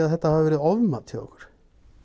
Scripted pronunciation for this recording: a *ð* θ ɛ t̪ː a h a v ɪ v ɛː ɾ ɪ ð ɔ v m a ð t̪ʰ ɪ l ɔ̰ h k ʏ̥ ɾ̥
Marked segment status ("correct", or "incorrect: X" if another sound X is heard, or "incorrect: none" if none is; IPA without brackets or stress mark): correct